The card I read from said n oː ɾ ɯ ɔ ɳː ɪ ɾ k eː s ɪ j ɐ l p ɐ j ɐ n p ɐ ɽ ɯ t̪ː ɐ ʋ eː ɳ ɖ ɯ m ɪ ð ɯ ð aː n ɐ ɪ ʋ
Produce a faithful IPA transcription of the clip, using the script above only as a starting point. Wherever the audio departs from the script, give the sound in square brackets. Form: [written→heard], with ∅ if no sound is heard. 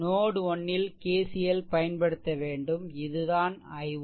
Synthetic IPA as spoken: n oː [ɾ→ɽ] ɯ ɔ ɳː ɪ [ɾ→l] k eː s ɪ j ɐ l p ɐ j ɐ n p ɐ ɽ ɯ t̪ː ɐ ʋ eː ɳ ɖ ɯ m ɪ ð ɯ ð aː n ɐ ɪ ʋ